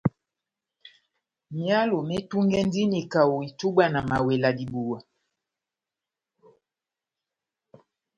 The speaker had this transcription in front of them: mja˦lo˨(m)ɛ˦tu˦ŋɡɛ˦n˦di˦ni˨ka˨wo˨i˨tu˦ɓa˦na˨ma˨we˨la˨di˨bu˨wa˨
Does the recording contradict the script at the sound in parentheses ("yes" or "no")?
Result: no